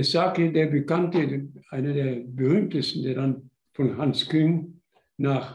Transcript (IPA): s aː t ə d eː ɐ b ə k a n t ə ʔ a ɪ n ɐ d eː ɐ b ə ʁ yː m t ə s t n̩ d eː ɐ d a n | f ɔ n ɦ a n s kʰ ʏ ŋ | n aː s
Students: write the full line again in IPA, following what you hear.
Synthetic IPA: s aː k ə d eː ɐ b ə k a n t ə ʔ a ɪ n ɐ d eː ɐ b ə ʁ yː m t ə s t n̩ d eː ɐ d a n | f ɔ n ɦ a n s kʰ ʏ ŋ | n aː χ